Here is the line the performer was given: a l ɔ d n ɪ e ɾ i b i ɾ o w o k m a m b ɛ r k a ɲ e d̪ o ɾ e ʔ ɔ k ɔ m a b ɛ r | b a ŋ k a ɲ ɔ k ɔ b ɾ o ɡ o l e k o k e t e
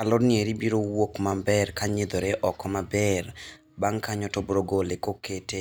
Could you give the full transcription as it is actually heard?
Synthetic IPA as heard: a l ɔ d n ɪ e ɾ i b i ɾ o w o k m a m b ɛ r k a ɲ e d̪ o ɾ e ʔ ɔ k ɔ m a b ɛ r | b a ŋ k a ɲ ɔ t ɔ b ɾ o ɡ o l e k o k e t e